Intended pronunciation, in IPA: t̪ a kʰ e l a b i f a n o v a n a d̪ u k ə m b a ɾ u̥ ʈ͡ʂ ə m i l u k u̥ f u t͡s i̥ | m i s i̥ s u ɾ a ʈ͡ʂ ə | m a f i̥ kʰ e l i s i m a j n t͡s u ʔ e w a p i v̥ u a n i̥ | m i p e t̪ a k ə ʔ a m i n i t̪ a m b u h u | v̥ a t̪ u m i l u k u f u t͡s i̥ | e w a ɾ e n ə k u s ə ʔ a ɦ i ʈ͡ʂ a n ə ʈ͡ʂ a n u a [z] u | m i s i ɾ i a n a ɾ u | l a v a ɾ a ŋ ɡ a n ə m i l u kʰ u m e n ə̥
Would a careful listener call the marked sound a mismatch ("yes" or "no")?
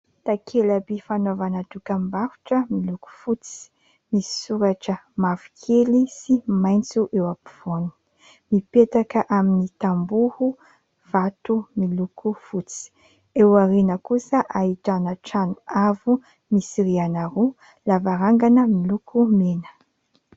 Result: yes